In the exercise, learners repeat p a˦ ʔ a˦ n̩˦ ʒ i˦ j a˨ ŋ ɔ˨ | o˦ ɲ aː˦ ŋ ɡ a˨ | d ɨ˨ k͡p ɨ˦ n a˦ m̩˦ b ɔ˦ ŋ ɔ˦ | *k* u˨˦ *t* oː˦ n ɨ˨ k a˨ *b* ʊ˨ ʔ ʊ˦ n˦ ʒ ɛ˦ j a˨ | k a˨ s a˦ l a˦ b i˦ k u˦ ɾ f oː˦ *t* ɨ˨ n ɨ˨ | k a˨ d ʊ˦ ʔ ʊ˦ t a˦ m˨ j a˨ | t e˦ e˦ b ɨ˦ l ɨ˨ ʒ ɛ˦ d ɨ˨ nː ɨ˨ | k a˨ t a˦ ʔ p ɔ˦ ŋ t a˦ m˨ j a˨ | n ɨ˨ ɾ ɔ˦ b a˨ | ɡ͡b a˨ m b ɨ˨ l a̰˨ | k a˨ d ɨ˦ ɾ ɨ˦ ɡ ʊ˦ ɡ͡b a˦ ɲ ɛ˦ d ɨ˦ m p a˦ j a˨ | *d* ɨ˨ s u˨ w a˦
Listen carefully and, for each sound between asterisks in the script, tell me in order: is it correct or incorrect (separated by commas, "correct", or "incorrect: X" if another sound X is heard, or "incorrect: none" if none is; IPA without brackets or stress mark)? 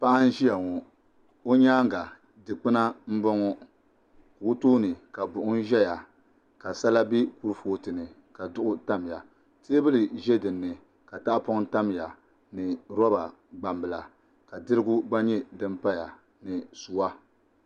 correct, correct, correct, correct, incorrect: n